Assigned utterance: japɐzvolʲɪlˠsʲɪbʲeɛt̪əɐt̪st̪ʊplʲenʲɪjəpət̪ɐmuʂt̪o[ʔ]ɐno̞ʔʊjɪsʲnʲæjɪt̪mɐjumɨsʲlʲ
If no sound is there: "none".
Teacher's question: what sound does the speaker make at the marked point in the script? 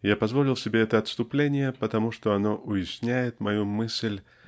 none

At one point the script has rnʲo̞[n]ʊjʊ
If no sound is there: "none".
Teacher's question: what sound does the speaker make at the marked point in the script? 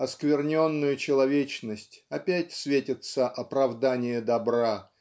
nː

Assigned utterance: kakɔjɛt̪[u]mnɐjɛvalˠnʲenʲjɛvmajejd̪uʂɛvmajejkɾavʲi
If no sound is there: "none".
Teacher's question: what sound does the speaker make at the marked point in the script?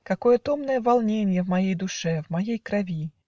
ɔ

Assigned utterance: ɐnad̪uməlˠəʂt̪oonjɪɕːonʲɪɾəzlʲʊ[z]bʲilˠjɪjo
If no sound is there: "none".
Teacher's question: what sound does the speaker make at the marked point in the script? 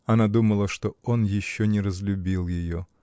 none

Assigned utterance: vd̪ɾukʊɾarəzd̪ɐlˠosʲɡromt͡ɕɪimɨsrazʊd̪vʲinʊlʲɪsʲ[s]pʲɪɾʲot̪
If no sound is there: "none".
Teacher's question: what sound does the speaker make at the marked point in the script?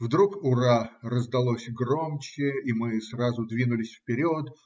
f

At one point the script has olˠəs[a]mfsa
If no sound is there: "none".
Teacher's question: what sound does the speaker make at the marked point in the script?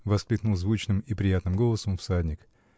ə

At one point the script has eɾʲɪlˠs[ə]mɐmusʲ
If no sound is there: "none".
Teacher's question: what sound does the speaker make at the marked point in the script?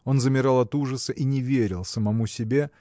ə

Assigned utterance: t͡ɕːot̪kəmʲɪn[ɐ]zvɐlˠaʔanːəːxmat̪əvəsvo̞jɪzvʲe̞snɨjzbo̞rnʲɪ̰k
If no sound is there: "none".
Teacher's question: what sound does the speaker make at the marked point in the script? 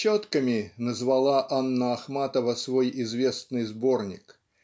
ə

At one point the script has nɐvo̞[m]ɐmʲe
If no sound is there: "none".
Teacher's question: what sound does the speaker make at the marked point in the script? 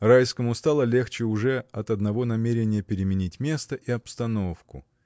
n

